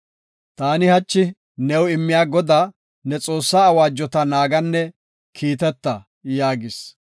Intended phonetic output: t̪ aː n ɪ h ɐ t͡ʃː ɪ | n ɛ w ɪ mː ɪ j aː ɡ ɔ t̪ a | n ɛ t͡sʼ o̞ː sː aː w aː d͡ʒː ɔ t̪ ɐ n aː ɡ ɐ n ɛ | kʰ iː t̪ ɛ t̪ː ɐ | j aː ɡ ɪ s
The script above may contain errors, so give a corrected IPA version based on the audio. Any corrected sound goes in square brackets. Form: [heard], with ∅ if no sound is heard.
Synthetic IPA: t̪ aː n ɪ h ɐ t͡ʃː ɪ | n ɛ w ɪ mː ɪ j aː ɡ ɔ [d̪] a | n ɛ t͡sʼ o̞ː sː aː w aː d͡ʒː ɔ t̪ ɐ n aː ɡ ɐ [nː] ɛ | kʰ iː t̪ ɛ t̪ː ɐ | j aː ɡ ɪ s